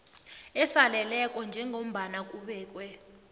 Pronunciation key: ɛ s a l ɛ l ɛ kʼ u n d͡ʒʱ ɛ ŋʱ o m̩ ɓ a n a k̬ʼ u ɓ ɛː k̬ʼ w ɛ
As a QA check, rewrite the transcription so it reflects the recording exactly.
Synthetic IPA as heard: ɛ s a l ɛ l ɛ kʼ ɔ n d͡ʒʱ ɛ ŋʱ o m̩ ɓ a n a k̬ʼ u ɓ ɛː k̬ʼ w ɛ